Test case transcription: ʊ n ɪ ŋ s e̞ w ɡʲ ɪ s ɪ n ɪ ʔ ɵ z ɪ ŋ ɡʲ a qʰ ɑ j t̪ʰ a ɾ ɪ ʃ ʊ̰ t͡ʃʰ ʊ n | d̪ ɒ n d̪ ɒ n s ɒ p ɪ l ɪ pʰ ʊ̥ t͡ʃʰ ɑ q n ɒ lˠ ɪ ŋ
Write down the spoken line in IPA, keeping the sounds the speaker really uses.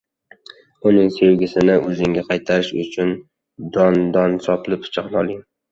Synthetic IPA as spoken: ʊ n ɪ ŋ s e̞ w ɡʲ ɪ s ɪ n ɪ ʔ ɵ z ɪ ŋ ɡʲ a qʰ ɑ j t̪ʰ a ɾ ɪ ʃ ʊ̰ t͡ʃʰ ʊ n | d̪ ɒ n d̪ ɒ n s ɒ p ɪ l ɪ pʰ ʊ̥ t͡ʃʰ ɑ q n ɒ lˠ ɪ ŋ